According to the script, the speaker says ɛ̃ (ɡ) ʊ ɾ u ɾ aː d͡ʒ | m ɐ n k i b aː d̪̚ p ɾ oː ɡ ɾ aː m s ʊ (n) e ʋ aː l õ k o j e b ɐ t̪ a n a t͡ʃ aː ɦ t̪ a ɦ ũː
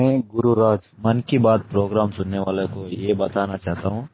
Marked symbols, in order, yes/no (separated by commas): yes, no